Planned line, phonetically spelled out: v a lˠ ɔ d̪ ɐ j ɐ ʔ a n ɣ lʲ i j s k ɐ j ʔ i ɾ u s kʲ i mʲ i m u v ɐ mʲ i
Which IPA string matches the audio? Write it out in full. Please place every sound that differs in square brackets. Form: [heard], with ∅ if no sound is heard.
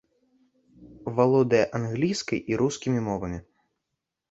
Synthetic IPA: v a lˠ ɔ d̪ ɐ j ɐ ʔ a n ɣ lʲ i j s k ɐ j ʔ i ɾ u s kʲ i mʲ i m [ɔ] v ɐ mʲ i

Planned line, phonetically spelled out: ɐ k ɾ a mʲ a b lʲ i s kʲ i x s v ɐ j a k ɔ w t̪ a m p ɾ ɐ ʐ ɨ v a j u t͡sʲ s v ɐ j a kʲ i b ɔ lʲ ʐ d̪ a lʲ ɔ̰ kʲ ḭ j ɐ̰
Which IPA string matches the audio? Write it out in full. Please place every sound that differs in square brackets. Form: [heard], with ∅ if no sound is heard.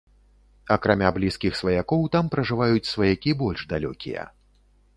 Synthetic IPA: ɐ k ɾ a mʲ a b lʲ i s kʲ i x s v ɐ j a k ɔ w t̪ a m p ɾ ɐ ʐ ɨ v a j u t͡sʲ s v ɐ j a kʲ i b ɔ lʲ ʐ d̪ a lʲ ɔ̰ kʲ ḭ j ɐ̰

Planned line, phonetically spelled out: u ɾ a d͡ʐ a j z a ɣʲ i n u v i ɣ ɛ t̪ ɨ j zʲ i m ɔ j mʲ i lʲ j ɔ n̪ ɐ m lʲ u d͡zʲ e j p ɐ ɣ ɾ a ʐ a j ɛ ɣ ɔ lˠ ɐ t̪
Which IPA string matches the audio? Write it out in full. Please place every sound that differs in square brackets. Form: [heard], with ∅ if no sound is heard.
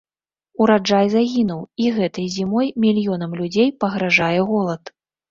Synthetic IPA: u ɾ a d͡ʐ a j z a ɣʲ i n u [w] i ɣ ɛ t̪ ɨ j zʲ i m ɔ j mʲ i lʲ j ɔ n̪ ɐ m lʲ u d͡zʲ e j p ɐ ɣ ɾ a ʐ a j ɛ ɣ ɔ lˠ ɐ t̪

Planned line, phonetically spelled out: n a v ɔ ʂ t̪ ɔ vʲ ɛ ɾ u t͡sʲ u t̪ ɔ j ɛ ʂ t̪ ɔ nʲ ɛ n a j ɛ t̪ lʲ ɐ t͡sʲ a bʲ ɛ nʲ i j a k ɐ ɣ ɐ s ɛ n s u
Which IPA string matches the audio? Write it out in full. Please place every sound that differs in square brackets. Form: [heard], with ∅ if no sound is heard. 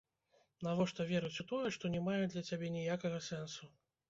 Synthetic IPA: n a v ɔ ʂ t̪ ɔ vʲ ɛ ɾ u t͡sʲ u t̪ ɔ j ɛ ʂ t̪ ɔ nʲ ɛ [m] a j ɛ [d̪] lʲ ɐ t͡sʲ a bʲ ɛ nʲ i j a k ɐ ɣ ɐ s ɛ n s u

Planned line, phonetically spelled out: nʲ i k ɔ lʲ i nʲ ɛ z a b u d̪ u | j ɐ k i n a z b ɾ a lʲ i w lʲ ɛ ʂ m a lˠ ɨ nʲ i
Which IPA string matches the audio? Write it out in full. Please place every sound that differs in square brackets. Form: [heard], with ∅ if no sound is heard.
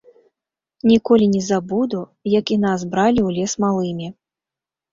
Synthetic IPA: nʲ i k ɔ lʲ i nʲ ɛ z a b u d̪ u | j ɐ k i n a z b ɾ a lʲ i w lʲ ɛ [s] m a lˠ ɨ [mʲ] i

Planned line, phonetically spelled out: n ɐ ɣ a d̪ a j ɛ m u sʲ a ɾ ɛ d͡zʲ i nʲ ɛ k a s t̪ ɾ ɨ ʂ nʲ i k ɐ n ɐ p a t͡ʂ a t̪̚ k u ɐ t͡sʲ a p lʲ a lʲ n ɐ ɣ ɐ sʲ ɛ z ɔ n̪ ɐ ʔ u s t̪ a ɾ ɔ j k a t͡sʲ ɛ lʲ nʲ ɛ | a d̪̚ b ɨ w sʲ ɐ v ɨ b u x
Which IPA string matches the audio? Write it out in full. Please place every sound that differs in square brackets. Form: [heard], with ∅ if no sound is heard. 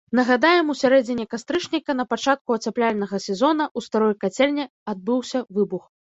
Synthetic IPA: n ɐ ɣ a d̪ a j ɛ m u sʲ a ɾ ɛ d͡zʲ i nʲ ɛ k a s t̪ ɾ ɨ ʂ nʲ i k ɐ n ɐ p a t͡ʂ a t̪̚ k u ɐ t͡sʲ a p lʲ a lʲ n ɐ ɣ ɐ sʲ ɛ z ɔ n̪ ɐ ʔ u s t̪ a ɾ ɔ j k a t͡sʲ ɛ lʲ nʲ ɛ | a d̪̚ b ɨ w sʲ ɐ v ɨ b u x

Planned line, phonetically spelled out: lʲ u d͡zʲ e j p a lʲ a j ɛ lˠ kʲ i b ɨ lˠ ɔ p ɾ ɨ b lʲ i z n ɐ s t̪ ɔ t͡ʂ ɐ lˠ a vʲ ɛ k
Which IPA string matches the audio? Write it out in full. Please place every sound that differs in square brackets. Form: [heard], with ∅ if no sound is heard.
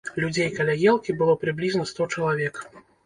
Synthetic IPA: lʲ u d͡zʲ e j [k] a lʲ a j ɛ lˠ kʲ i b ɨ lˠ ɔ p ɾ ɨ b lʲ i z n ɐ s t̪ ɔ t͡ʂ ɐ lˠ a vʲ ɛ k

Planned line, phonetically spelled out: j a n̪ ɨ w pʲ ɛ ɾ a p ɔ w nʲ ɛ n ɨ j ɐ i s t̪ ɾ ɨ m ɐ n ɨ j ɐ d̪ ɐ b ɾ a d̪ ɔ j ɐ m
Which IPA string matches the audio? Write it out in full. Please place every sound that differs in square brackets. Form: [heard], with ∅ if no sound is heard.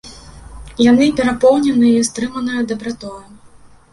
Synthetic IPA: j a n̪ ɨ [∅] pʲ ɛ ɾ a p ɔ w nʲ ɛ n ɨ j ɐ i s t̪ ɾ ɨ m ɐ n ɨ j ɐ d̪ ɐ b ɾ a [t̪] ɔ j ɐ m

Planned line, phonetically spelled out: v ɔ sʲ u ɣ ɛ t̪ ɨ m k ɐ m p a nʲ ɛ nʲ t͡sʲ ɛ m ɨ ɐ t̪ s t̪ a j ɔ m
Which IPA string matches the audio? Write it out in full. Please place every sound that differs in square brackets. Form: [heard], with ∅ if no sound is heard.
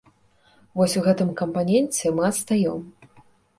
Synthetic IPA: v ɔ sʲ u ɣ ɛ t̪ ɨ m k ɐ m p a nʲ ɛ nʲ t͡sʲ ɛ m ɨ ɐ t̪ s t̪ a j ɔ m

